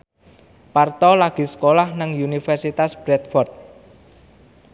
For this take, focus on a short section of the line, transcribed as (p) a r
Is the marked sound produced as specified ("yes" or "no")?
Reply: yes